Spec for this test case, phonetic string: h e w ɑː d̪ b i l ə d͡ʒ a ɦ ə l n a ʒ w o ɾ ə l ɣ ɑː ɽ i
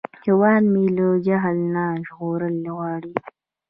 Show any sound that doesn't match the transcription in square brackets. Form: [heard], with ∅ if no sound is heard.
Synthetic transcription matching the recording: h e w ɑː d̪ [m] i l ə d͡ʒ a ɦ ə l n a ʒ [ɣ] o ɾ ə l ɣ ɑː ɽ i